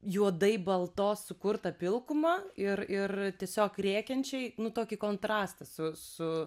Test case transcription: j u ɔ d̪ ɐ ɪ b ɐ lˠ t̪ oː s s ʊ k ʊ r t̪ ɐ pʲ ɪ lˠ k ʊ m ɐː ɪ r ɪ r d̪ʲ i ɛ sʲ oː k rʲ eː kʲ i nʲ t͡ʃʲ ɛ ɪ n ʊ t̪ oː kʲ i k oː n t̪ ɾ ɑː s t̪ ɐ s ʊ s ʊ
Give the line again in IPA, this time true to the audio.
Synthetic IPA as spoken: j u ɔ d̪ ɐ ɪ b ɐ lˠ t̪ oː s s ʊ k ʊ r t̪ ɐ pʲ ɪ lˠ k ʊ m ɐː ɪ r ɪ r t̪ʲ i ɛ sʲ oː k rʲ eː kʲ ɛ nʲ t͡ʃʲ ɛ ɪ n ʊ t̪ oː kʲ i k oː n t̪ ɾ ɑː s t̪ ɐ s ʊ s ʊ